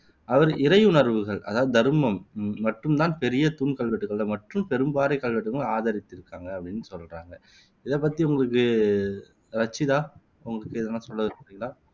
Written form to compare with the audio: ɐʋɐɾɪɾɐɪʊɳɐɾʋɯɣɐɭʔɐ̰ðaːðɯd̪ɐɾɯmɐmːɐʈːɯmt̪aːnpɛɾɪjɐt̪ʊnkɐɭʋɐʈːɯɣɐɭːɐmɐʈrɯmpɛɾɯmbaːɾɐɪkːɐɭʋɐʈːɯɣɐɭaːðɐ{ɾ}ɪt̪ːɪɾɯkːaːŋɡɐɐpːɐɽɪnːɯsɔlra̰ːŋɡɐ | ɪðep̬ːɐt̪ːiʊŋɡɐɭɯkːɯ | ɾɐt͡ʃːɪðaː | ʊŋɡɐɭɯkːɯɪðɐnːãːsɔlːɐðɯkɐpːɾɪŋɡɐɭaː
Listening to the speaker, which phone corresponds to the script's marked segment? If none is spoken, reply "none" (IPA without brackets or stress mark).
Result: ɾ